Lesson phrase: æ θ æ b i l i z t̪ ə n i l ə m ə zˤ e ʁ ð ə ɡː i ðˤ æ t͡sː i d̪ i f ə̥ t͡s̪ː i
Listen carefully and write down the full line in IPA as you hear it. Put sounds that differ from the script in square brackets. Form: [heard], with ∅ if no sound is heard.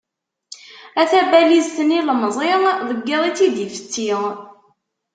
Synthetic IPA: æ θ æ b [æ] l i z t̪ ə n i l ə m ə zˤ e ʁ ð ə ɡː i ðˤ [i] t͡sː i d̪ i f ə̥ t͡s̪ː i

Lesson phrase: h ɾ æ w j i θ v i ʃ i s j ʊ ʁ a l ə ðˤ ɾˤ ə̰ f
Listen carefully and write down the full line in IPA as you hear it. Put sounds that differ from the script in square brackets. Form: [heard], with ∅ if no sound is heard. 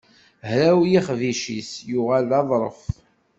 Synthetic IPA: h ɾ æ w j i [χ] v i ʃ i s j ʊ ʁ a l [ɑ] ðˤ ɾˤ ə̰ f

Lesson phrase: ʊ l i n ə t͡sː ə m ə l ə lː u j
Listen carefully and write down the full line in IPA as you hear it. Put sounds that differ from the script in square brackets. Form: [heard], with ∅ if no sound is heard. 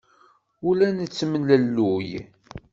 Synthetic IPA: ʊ l [æ] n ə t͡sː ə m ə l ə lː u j

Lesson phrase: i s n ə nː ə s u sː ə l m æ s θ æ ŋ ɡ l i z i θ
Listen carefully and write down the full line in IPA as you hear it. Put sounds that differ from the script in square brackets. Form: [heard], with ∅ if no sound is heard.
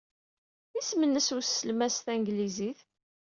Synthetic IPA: i s [m] ə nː ə s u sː ə l m æ s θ æ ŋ ɡ l i z i θ

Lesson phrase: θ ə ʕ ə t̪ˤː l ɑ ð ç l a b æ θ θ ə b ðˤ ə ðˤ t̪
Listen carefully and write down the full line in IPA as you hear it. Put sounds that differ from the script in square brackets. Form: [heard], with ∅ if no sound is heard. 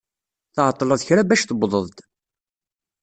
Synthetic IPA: θ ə ʕ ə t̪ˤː l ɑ ð ç [ɾ] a b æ [ʃ] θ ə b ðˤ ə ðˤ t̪

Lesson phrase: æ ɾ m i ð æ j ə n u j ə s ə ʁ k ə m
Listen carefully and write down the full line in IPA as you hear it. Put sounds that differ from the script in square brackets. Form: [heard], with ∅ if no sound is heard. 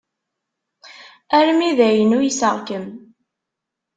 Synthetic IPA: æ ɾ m i ð æ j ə n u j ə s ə ʁ k ə m

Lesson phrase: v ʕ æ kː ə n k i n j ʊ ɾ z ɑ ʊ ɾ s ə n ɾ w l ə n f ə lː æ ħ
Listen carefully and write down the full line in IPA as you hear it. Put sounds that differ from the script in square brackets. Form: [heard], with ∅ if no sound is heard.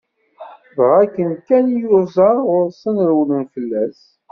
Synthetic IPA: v [ʁ] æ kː ə n k [æ] n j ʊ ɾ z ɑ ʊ ɾ s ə n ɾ w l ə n f ə lː æ [s]

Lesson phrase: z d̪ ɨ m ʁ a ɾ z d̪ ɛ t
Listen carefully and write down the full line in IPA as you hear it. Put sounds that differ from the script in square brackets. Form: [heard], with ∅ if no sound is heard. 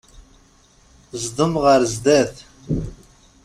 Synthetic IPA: z d̪ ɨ m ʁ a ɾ z d̪ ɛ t

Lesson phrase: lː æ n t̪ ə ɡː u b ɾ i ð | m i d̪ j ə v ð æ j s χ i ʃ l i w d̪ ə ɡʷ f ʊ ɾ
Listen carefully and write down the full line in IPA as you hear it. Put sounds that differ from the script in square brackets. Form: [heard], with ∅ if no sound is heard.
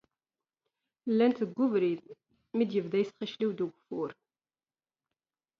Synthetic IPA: lː æ n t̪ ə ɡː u [v] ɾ i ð | m i d̪ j ə v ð æ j s χ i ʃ l i w d̪ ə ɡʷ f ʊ ɾ

